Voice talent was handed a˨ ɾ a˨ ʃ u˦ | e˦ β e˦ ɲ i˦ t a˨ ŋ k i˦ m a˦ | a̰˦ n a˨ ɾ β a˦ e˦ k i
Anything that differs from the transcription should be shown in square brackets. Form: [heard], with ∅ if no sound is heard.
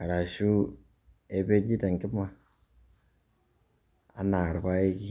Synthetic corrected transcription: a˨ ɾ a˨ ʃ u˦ | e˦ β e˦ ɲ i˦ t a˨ ŋ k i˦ m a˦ | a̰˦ n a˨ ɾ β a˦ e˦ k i